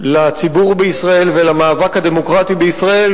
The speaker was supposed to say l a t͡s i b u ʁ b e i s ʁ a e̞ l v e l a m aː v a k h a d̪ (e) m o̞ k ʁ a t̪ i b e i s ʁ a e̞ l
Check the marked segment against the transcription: correct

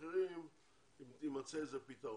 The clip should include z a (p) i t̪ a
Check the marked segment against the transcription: correct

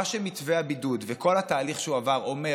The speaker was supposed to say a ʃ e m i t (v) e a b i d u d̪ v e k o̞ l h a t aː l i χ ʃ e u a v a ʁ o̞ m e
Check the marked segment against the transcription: correct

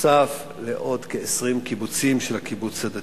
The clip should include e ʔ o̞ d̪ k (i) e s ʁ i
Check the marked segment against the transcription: incorrect: e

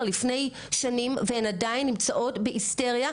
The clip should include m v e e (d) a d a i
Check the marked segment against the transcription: incorrect: n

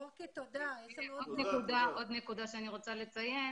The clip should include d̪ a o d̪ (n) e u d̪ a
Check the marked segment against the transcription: correct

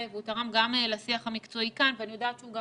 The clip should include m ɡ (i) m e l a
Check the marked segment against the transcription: incorrect: a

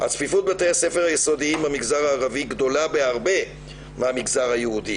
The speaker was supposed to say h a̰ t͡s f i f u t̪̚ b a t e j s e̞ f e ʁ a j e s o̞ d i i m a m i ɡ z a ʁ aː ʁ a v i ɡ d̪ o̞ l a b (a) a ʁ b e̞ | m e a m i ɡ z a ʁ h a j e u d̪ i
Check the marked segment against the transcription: incorrect: e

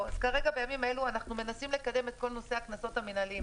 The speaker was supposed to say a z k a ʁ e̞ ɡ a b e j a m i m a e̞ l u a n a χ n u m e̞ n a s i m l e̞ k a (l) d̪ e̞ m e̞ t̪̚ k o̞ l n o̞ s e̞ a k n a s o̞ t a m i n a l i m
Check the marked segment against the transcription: incorrect: none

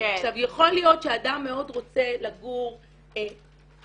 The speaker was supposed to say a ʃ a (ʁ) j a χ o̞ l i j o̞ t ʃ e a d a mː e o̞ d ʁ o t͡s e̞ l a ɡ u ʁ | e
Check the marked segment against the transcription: incorrect: v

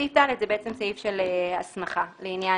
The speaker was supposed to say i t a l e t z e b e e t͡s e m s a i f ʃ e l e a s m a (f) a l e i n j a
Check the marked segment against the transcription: incorrect: χ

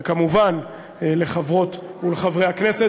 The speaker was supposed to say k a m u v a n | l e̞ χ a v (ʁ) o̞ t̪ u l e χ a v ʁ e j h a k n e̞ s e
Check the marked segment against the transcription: correct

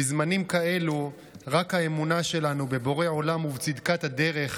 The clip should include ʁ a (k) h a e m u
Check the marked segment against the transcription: correct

